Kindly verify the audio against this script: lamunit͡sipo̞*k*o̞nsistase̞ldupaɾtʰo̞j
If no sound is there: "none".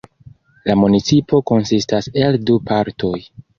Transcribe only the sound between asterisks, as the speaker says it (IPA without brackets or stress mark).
k